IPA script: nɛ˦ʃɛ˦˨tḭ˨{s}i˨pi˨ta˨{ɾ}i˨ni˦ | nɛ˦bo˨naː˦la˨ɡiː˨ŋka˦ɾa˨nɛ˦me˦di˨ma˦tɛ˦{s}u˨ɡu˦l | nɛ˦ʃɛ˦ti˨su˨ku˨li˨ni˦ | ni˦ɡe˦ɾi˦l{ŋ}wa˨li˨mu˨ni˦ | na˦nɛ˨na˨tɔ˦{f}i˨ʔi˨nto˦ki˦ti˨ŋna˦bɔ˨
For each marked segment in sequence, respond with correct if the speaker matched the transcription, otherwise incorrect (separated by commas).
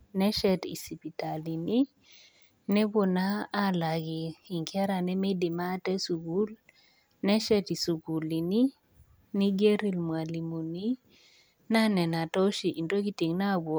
correct, incorrect, correct, incorrect, incorrect